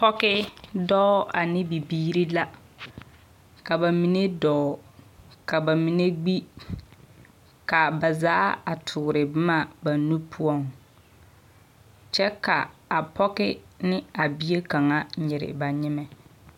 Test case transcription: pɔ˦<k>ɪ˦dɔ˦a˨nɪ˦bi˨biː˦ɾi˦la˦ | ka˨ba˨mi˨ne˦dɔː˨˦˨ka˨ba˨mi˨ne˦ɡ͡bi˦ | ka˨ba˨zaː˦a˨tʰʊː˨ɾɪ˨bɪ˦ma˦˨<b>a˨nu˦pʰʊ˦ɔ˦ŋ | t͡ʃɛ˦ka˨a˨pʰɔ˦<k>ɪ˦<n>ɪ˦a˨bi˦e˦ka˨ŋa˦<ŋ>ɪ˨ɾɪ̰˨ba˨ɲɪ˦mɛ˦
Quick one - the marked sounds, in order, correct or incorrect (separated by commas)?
correct, correct, correct, correct, incorrect